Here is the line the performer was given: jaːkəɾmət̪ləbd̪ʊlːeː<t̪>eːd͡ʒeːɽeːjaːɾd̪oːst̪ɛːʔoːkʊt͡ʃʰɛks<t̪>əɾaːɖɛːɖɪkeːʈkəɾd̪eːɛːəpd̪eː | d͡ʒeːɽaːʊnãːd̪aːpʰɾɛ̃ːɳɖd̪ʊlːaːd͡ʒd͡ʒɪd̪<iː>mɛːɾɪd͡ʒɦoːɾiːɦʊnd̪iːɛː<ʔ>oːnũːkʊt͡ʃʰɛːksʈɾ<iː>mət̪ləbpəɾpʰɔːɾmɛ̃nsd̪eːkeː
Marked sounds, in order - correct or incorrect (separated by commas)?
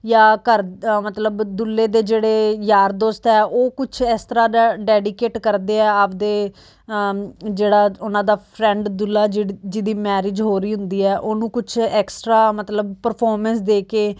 incorrect, correct, correct, correct, incorrect